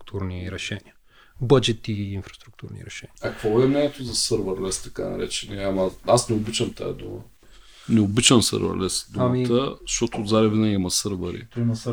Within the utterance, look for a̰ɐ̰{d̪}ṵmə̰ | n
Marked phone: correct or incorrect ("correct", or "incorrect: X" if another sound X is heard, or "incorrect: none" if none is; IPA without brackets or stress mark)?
correct